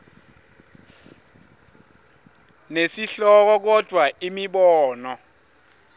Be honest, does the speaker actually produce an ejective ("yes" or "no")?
no